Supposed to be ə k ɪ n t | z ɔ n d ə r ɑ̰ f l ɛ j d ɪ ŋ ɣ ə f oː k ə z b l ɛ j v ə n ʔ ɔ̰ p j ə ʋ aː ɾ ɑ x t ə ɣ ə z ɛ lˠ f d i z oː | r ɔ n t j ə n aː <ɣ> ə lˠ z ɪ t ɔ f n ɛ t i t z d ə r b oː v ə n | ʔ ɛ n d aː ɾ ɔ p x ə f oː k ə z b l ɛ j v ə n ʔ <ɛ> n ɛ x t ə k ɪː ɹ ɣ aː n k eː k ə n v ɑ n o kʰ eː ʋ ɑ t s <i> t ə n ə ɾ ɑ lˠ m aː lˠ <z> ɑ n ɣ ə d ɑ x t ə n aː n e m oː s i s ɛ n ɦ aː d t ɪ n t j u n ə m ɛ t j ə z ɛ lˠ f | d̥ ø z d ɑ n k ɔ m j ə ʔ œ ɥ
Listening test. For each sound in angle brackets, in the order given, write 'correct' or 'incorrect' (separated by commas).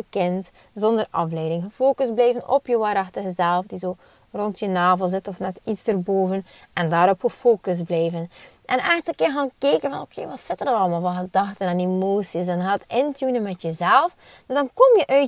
incorrect, correct, incorrect, incorrect